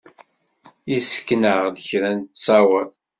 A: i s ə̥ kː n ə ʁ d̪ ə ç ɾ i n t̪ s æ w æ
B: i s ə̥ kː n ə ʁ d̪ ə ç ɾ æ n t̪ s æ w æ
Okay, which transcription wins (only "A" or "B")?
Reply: B